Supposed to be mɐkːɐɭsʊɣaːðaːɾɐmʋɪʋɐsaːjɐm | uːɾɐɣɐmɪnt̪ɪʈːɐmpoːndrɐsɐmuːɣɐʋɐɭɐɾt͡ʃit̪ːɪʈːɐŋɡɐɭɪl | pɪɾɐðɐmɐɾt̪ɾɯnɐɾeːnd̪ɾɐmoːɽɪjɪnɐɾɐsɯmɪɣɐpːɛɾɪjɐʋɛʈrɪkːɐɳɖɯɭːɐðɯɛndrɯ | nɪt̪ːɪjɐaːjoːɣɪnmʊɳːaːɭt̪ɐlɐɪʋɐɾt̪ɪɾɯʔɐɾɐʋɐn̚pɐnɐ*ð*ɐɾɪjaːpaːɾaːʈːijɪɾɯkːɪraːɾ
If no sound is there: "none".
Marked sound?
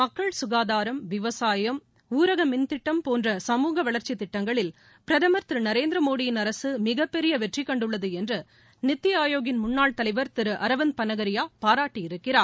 ɣ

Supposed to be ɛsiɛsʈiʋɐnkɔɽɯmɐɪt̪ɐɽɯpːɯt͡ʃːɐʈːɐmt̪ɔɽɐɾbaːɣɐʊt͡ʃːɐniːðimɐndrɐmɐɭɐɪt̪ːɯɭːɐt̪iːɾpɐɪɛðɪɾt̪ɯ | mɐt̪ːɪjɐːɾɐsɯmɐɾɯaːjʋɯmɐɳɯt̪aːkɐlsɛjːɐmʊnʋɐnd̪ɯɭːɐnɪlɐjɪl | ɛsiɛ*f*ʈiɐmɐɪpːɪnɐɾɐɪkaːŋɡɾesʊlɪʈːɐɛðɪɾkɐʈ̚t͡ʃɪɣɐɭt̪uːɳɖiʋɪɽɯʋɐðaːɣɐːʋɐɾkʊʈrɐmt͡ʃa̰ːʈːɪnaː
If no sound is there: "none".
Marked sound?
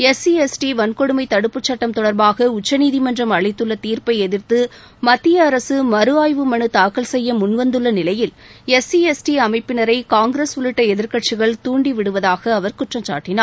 s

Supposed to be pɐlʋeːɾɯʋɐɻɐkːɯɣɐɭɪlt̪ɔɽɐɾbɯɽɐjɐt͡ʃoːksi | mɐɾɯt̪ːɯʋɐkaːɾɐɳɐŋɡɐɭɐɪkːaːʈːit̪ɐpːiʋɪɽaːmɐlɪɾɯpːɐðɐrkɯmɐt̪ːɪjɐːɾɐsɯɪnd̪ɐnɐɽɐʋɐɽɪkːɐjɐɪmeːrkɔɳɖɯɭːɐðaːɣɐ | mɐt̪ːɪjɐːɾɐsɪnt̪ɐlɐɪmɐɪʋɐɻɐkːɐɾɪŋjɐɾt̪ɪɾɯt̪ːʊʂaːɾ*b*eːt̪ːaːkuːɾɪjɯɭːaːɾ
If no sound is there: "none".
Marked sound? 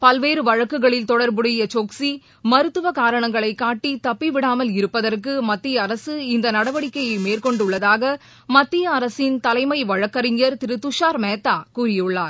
m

